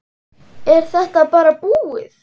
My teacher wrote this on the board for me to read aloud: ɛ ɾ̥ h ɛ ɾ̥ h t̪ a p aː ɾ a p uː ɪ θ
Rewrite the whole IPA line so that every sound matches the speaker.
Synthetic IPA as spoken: ɛ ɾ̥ θ ɛ h t̪ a p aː ɾ a p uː ɪ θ